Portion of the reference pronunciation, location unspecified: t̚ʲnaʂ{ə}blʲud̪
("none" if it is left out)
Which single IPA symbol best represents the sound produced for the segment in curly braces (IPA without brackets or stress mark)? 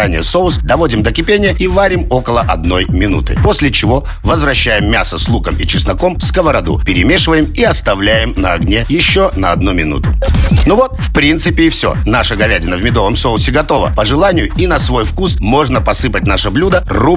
ə